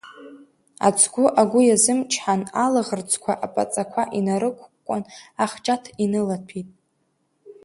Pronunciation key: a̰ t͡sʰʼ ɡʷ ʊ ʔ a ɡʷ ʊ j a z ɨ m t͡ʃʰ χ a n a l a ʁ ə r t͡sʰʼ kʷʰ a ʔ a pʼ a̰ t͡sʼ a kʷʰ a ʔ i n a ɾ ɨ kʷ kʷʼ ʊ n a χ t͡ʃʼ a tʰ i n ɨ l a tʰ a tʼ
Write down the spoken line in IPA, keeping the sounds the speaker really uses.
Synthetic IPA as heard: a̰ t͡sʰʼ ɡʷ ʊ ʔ a ɡʷ ʊ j a z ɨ m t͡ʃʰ ħ a n a l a ʁ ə r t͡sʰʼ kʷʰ a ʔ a pʼ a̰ t͡sʼ a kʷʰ a ʔ i n a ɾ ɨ kʷ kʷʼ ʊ n a χ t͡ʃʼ a tʰ i n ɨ l a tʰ i tʼ